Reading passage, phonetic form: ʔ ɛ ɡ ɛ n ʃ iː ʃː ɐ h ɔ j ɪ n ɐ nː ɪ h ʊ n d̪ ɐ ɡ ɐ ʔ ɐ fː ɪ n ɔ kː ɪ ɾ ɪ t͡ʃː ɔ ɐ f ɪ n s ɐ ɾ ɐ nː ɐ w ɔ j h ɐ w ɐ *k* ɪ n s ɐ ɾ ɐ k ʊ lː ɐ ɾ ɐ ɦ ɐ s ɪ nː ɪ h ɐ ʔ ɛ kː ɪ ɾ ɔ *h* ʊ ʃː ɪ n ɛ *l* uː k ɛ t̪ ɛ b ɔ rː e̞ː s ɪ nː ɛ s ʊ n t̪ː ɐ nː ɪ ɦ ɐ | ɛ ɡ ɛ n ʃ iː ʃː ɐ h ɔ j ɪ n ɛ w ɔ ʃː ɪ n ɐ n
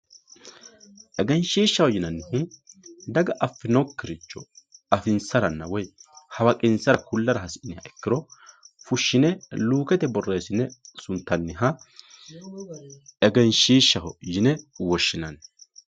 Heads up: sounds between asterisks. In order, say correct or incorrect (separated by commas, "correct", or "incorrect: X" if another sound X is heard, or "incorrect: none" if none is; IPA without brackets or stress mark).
incorrect: kʼ, incorrect: f, correct